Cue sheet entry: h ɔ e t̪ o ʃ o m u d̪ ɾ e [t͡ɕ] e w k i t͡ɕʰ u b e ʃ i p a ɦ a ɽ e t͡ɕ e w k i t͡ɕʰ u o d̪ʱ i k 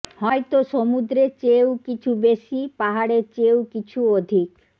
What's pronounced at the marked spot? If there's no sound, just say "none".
t͡ɕ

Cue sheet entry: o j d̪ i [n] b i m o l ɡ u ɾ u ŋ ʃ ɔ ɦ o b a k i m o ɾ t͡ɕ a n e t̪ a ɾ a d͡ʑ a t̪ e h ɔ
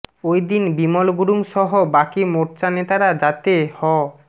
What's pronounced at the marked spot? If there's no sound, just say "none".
n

